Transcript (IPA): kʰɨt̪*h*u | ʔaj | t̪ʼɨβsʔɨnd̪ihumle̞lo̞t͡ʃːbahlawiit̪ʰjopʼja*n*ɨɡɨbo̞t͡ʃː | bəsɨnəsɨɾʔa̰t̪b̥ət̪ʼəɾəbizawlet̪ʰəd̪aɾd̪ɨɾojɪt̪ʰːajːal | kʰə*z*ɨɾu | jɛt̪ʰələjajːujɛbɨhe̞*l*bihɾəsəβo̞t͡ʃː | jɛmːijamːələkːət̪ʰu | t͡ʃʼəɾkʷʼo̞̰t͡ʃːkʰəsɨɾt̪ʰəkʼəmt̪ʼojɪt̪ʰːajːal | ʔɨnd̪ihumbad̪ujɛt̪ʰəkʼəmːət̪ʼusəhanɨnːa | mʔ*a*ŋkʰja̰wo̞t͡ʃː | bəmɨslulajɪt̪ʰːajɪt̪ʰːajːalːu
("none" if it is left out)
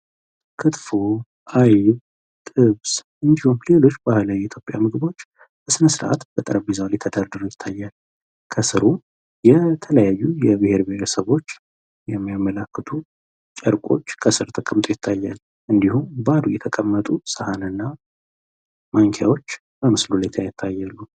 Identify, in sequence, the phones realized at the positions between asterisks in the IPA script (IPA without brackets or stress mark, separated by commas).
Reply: f, m, s, ɾ, a